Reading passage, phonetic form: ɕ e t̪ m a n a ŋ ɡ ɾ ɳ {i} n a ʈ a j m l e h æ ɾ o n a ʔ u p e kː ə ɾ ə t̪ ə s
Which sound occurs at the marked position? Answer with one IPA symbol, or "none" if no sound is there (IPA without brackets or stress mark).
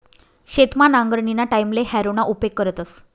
i